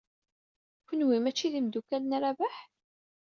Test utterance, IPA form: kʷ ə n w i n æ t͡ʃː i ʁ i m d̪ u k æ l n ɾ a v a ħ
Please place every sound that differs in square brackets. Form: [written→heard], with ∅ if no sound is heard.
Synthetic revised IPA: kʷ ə n w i [n→m] æ t͡ʃː i [ʁ→ð] i m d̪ u k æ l n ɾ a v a ħ